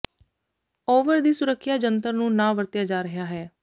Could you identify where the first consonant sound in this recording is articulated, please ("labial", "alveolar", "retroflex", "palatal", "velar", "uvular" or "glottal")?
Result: labial